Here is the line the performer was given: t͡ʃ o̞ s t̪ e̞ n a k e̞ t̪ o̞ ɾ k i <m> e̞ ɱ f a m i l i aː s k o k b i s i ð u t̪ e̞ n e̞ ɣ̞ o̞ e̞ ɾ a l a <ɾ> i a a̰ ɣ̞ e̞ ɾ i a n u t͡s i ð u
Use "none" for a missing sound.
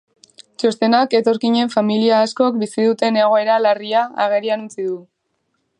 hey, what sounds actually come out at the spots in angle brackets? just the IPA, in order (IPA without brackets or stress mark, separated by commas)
ɲ, r